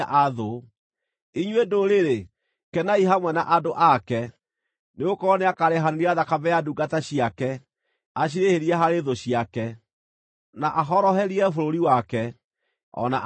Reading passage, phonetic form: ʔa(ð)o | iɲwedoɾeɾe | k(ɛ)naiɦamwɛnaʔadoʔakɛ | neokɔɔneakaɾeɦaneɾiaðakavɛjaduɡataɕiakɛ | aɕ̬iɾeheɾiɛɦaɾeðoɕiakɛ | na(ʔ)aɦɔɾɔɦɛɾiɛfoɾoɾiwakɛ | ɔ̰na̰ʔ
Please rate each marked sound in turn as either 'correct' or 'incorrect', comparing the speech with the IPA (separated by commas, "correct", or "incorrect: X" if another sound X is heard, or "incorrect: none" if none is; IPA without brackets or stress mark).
correct, correct, correct